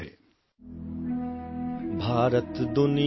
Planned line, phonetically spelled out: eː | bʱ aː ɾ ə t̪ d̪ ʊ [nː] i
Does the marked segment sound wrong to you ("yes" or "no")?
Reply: yes